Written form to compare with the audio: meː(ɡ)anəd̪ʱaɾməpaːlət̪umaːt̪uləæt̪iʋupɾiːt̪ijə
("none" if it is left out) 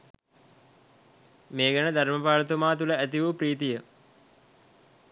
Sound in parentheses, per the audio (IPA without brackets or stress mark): ɡ